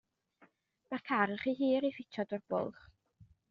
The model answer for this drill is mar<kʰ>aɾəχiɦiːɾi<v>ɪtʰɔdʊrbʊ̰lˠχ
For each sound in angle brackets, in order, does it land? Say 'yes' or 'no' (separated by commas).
yes, no